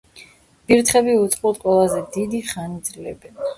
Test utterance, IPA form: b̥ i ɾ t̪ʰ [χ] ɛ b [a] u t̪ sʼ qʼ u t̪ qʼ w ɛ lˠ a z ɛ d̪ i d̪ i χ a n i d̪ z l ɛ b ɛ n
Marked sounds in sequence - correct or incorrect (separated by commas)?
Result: correct, incorrect